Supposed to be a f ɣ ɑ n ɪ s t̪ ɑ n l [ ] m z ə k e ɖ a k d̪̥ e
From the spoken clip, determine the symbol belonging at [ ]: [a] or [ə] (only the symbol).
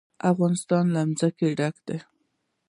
a